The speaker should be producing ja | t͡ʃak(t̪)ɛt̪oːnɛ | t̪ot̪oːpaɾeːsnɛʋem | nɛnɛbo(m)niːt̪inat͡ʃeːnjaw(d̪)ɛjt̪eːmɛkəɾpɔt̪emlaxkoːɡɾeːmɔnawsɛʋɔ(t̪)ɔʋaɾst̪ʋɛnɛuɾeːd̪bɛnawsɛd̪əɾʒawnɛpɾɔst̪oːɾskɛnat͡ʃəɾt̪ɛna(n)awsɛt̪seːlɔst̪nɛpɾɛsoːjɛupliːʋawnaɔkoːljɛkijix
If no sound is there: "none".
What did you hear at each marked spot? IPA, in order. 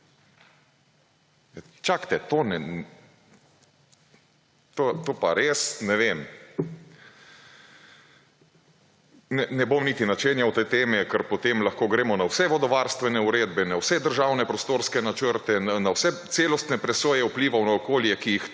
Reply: t̪, m, t̪, d̪, n

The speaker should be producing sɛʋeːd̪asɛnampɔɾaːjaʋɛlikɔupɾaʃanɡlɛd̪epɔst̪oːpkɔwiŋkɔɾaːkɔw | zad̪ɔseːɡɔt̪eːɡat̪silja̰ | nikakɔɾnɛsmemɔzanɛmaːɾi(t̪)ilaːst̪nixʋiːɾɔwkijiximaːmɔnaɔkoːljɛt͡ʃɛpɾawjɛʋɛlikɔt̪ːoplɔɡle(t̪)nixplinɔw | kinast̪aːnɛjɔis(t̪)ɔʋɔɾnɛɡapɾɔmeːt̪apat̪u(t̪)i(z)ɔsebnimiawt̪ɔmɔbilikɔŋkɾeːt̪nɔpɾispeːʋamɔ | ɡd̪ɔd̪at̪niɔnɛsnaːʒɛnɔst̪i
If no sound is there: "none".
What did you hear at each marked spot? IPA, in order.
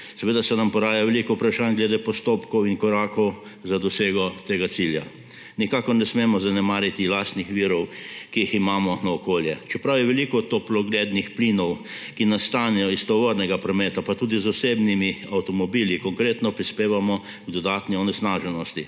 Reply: t̪, d̪, t̪, d̪, z

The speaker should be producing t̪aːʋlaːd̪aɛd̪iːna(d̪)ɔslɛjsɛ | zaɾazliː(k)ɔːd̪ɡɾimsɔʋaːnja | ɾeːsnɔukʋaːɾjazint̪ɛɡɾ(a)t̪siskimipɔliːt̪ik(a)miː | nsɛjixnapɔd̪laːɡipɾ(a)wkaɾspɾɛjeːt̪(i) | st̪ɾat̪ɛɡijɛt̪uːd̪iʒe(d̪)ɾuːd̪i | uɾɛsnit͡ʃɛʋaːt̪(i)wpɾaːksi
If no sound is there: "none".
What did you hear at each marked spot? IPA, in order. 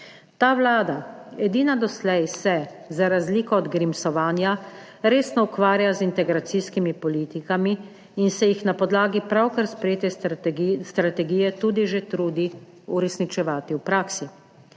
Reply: d̪, k, a, a, a, ɛ, t̪, i

